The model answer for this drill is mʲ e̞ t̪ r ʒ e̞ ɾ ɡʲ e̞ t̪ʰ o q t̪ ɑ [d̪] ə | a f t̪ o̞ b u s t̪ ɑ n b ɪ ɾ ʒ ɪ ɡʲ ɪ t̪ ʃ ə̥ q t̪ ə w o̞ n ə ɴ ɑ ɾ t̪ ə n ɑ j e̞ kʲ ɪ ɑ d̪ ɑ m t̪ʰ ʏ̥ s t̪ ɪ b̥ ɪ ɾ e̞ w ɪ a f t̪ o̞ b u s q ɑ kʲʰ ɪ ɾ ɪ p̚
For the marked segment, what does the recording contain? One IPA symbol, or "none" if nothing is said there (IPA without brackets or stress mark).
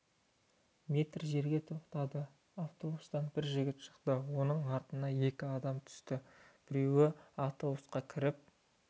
d̪